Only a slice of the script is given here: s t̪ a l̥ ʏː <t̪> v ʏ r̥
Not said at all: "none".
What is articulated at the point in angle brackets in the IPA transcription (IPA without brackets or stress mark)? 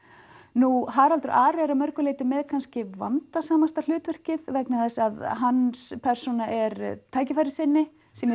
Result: t̪